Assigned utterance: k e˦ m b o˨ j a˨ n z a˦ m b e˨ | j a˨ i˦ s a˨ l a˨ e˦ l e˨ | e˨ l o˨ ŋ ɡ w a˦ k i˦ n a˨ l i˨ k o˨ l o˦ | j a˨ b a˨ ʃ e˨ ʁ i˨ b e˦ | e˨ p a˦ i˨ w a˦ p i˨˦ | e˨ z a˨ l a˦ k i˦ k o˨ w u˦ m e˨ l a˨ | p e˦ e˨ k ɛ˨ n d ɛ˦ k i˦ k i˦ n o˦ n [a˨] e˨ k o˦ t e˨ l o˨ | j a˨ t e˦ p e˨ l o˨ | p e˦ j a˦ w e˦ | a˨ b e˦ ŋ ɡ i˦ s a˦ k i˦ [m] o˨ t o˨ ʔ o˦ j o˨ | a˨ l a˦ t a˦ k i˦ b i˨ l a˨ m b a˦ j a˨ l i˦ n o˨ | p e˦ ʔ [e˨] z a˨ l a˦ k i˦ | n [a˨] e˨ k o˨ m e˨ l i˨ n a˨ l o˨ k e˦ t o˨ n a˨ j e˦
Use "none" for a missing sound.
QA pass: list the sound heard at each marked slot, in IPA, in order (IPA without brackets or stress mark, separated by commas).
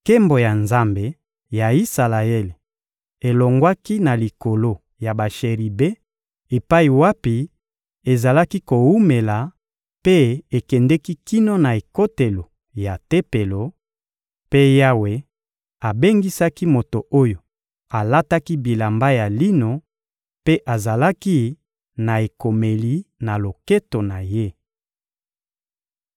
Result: a˨, m, a˨, a˨